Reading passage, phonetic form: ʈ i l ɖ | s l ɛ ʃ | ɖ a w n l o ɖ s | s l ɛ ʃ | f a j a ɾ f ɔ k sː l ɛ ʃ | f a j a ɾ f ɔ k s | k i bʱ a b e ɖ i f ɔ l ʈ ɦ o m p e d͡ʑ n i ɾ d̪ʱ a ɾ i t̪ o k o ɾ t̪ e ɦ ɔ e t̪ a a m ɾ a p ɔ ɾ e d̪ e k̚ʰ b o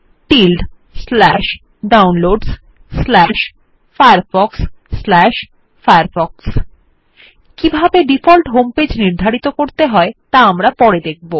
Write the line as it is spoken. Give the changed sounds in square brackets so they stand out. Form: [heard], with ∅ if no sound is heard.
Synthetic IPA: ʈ i l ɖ | s l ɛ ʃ | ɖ a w n l o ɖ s | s l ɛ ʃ | f a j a ɾ f ɔ k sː l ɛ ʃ | f a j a ɾ f ɔ k s | k i bʱ a b e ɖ i f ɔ l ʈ ɦ o m p e d͡ʑ n i ɾ d̪ʱ a ɾ i t̪ o k o ɾ t̪ e ɦ ɔ e t̪ a a m ɾ a p ɔ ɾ e d̪ e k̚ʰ b o